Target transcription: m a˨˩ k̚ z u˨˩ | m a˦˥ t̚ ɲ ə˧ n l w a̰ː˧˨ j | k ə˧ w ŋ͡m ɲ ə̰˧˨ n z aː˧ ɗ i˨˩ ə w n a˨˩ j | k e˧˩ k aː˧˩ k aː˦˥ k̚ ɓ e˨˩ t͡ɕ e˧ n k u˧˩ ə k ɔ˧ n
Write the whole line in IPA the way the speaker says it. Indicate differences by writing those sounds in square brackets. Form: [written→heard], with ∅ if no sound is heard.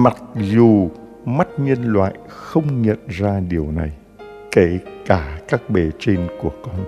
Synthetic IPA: m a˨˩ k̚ z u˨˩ | m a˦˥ t̚ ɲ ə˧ n l w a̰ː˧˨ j | [k→x] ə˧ w ŋ͡m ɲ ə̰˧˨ n z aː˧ ɗ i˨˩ ə w n a˨˩ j | k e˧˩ k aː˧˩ k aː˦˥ k̚ ɓ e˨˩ t͡ɕ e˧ n k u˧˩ ə k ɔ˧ n